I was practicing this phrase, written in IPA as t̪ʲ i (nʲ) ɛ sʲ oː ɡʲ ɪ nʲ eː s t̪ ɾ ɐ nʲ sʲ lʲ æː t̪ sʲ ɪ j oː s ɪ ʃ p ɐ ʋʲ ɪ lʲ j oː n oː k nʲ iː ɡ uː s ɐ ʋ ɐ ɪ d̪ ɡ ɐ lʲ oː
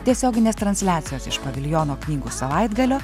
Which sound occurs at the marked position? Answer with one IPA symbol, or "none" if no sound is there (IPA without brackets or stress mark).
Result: none